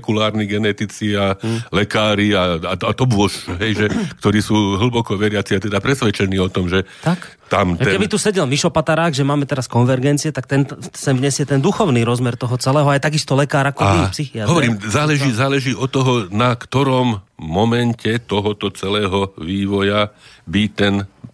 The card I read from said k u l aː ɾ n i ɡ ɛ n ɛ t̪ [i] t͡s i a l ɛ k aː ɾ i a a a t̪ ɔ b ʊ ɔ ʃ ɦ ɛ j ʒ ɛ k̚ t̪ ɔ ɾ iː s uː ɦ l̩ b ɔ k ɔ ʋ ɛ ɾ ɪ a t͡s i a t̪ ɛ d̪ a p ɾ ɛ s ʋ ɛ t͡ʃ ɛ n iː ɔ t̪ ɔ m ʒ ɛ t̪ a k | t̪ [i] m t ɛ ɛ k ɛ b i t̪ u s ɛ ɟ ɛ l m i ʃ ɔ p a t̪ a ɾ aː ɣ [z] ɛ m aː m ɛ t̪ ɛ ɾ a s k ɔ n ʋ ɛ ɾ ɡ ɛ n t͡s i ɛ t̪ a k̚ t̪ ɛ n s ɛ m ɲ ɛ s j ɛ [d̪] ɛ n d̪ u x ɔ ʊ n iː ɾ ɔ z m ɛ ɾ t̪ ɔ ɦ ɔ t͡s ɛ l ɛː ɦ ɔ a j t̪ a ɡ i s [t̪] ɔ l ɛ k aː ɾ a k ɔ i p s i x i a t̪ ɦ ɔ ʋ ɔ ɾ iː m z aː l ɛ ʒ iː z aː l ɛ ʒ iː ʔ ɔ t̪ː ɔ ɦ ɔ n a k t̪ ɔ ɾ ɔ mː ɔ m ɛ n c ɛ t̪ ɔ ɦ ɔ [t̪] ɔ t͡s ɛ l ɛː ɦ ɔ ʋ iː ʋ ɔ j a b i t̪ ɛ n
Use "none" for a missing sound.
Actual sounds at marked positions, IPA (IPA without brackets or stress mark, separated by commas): i, a, ʒ, t̪, t̪, t̪